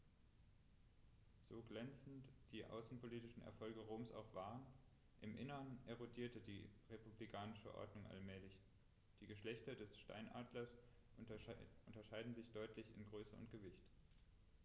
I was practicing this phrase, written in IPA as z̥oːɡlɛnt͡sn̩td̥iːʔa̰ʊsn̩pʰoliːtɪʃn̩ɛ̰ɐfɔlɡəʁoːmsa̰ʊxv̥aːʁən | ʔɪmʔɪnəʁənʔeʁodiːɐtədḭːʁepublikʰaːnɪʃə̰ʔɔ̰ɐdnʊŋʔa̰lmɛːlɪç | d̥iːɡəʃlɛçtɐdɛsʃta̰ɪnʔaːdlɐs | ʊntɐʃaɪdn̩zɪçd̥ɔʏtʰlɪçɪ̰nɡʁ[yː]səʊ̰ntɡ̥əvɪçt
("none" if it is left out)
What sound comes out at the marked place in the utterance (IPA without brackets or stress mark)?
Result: øː